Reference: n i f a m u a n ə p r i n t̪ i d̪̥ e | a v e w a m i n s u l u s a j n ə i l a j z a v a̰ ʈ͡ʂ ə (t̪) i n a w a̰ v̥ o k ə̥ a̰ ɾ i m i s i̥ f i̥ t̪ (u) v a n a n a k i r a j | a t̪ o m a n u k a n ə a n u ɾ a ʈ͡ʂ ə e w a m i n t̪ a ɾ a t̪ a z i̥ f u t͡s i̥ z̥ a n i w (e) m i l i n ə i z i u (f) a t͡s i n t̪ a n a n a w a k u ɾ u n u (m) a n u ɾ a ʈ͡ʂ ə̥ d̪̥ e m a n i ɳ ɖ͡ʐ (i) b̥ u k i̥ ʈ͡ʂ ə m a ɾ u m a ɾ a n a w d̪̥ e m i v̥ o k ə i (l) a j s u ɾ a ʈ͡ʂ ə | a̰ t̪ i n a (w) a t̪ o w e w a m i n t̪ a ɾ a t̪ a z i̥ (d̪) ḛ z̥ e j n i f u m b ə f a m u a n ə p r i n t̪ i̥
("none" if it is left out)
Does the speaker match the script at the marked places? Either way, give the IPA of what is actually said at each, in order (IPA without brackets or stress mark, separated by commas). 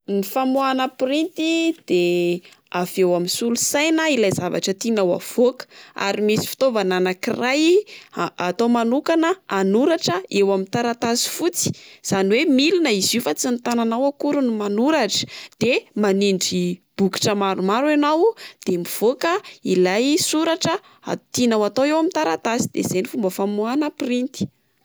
t̪, o, e, f, m, i, l, w, d̪